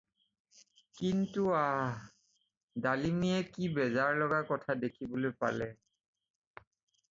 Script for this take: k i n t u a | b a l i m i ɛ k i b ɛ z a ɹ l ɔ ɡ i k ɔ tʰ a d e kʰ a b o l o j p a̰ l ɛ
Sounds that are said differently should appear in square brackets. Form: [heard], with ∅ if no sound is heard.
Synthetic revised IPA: k i n t u a | [d] a l i m i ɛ k i b ɛ z a ɹ l ɔ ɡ [a] k ɔ tʰ a d e kʰ [i] b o l o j p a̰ l ɛ